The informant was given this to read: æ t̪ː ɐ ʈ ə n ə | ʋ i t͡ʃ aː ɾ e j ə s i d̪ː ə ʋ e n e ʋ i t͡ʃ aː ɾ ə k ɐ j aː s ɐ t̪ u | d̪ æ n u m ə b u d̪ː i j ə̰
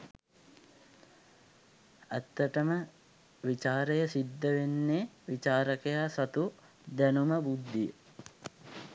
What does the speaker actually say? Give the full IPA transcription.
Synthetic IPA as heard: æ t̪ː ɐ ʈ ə m ə | ʋ i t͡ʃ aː ɾ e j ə s i d̪ː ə ʋ e nː e ʋ i t͡ʃ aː ɾ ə k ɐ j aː s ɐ t̪ u | d̪ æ n u m ə b u d̪ː i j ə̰